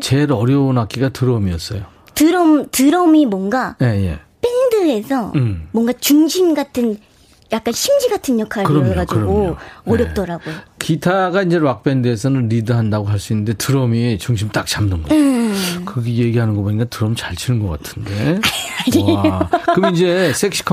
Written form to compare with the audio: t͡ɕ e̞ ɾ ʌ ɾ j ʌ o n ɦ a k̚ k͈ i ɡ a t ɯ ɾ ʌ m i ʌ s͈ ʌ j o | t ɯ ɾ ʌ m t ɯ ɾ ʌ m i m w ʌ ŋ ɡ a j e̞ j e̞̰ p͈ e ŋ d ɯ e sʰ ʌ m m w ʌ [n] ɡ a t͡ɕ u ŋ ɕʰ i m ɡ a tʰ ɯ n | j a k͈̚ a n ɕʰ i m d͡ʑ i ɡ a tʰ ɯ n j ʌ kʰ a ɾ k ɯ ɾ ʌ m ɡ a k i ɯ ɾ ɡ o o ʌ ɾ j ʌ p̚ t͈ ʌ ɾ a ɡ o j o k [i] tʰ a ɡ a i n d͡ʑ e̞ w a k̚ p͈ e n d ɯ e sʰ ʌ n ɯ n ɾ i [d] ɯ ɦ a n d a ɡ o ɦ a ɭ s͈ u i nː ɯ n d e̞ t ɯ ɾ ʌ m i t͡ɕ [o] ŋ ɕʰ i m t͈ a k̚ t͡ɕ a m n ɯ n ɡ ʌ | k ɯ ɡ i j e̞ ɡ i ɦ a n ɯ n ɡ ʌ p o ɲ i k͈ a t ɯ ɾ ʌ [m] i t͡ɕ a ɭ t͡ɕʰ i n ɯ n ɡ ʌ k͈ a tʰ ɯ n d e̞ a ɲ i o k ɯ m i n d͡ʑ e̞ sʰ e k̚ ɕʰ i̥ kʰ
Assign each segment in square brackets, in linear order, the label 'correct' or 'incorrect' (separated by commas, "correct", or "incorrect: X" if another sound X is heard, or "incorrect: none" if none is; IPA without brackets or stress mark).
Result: incorrect: ŋ, correct, correct, incorrect: u, correct